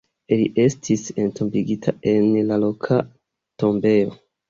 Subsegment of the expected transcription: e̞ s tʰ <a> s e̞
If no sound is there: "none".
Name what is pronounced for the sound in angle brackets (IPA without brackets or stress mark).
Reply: i